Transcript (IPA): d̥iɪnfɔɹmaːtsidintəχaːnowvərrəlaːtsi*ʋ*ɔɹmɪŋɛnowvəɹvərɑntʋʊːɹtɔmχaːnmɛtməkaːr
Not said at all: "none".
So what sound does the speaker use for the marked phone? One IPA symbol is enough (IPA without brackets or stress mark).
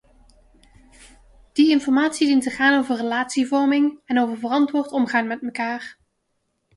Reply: v